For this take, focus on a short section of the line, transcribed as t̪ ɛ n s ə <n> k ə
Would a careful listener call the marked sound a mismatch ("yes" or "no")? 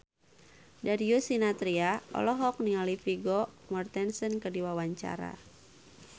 no